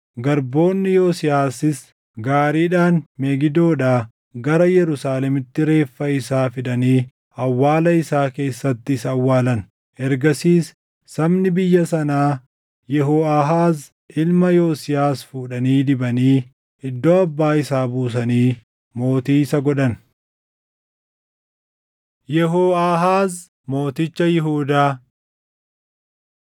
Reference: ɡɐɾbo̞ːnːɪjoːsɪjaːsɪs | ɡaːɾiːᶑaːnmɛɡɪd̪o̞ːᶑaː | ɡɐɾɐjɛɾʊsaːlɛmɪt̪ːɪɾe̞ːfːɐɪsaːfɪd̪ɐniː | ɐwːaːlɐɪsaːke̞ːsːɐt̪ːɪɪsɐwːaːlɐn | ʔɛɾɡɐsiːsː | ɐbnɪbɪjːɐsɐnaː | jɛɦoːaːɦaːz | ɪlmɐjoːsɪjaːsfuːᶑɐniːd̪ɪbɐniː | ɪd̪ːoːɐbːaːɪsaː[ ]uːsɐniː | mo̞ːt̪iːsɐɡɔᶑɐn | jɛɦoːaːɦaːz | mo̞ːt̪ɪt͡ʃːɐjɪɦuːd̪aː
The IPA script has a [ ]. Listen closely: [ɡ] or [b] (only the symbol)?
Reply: b